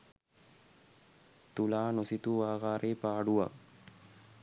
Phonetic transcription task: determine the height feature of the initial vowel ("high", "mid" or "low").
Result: high